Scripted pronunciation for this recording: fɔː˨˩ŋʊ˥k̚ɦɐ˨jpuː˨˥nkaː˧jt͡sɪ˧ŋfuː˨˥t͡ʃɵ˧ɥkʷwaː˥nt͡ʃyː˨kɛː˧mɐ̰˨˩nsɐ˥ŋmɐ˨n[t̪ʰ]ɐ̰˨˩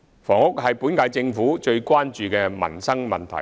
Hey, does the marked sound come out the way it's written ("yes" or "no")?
yes